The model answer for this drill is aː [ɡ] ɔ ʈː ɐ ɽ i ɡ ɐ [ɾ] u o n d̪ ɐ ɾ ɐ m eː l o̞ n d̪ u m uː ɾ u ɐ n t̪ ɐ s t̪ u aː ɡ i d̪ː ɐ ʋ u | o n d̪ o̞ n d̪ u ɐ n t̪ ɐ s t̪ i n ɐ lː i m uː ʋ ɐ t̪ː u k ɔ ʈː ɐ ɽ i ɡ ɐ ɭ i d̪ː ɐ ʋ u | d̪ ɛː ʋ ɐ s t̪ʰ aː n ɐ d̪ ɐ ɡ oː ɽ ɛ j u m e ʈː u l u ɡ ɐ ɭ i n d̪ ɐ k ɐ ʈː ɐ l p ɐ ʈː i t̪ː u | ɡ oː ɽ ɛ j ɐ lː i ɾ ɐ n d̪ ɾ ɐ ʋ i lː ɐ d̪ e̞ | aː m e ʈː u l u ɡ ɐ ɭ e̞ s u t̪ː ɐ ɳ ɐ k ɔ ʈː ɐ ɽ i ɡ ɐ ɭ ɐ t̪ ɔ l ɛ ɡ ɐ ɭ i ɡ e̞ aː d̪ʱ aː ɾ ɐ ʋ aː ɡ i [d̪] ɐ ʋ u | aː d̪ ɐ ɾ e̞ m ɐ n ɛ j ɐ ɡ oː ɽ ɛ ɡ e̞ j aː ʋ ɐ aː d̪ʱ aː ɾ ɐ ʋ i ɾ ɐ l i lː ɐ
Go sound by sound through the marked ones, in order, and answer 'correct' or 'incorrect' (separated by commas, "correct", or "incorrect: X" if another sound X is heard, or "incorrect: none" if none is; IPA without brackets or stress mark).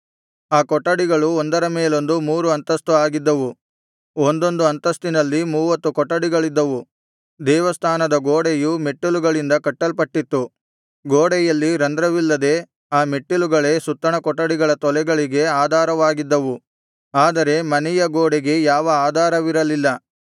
incorrect: k, incorrect: ɭ, incorrect: d̪ː